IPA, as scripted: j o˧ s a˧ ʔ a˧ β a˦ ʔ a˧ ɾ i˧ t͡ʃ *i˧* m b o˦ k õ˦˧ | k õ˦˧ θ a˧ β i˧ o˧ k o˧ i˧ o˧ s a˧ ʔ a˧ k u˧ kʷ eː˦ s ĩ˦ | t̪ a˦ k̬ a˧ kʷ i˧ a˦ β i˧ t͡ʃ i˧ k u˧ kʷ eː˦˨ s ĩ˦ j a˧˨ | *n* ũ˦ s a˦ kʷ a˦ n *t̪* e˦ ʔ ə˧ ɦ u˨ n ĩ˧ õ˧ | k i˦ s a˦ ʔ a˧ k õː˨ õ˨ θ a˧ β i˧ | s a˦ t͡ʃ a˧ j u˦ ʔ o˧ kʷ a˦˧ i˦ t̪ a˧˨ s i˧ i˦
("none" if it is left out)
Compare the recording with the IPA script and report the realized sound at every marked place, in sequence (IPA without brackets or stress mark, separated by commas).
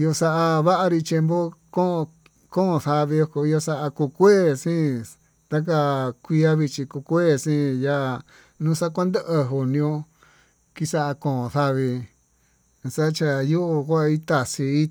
e˧, n, d̪